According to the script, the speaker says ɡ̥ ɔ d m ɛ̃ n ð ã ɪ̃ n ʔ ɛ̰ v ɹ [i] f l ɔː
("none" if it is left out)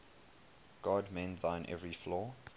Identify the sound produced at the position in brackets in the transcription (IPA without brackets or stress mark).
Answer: i